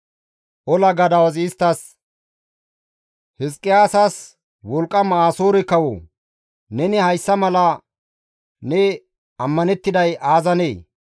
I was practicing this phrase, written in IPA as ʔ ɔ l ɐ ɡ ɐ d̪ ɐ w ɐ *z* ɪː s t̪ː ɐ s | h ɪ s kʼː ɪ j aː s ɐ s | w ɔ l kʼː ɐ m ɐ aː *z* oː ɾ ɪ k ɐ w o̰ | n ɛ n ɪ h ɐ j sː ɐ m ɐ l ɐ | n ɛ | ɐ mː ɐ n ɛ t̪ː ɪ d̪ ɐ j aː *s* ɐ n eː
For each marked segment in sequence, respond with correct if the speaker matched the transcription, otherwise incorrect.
correct, incorrect, incorrect

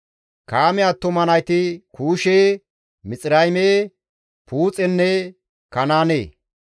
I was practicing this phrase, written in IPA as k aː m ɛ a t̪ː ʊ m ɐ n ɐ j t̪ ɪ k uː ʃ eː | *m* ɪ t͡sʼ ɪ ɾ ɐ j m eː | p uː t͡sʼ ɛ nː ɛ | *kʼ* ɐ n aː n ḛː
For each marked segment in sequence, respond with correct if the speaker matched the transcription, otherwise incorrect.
correct, incorrect

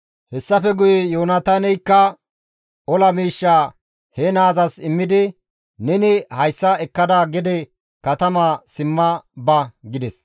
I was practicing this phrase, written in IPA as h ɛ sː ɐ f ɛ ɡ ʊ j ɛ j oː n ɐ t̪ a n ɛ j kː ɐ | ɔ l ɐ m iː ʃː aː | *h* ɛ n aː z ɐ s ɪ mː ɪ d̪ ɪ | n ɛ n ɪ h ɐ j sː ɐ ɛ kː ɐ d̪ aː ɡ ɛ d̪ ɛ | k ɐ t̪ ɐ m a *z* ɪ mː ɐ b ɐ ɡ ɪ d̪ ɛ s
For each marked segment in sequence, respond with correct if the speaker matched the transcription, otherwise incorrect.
correct, incorrect

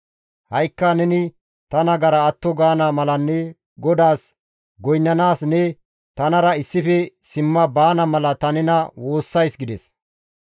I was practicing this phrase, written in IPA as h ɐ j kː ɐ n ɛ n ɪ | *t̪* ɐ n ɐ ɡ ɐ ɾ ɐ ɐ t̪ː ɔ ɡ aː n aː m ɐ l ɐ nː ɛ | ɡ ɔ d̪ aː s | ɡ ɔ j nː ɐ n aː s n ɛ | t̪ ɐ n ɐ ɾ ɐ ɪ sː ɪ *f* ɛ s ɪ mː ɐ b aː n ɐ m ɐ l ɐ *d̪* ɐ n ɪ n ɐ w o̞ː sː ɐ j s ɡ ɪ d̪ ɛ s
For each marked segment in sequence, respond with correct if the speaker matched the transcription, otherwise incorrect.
correct, correct, incorrect

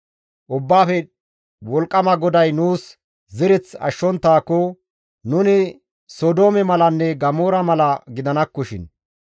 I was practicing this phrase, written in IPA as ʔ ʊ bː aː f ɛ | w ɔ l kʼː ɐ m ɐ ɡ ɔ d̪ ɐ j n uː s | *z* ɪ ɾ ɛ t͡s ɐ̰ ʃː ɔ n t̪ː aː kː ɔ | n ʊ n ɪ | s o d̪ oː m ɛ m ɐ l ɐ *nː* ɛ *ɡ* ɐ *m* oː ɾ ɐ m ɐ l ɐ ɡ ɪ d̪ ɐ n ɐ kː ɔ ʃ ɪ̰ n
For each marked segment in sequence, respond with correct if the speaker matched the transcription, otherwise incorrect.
correct, correct, correct, correct

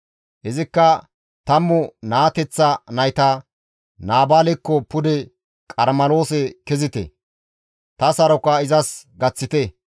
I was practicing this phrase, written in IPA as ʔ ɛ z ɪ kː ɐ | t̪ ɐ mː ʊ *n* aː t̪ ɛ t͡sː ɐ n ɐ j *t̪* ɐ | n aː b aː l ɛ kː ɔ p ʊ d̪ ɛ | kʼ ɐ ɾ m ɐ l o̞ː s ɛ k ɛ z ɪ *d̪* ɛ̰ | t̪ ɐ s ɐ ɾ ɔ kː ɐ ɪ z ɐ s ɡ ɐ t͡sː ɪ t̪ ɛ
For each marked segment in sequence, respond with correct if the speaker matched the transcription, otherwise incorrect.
correct, correct, incorrect

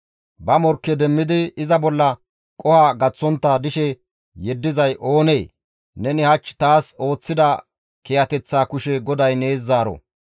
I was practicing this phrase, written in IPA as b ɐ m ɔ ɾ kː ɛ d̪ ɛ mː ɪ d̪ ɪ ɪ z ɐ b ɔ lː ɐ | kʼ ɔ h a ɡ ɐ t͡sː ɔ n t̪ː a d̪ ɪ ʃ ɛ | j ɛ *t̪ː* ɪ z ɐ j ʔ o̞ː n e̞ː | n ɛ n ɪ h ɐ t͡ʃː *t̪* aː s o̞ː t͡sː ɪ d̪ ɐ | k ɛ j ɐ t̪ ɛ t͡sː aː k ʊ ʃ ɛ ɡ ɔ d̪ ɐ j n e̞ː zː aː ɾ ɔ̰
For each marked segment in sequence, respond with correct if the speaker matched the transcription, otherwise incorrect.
incorrect, correct

